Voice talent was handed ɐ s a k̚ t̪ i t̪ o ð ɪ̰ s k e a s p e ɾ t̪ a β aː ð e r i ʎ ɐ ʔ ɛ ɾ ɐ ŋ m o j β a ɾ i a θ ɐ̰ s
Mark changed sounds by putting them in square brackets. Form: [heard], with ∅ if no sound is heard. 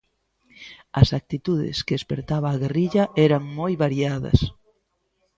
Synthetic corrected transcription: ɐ s a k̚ t̪ i t̪ [u] ð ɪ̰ s k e [e] s p e ɾ t̪ a β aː [ɣ] e r i ʎ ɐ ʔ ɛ ɾ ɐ ŋ m o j β a ɾ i a [ð] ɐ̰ s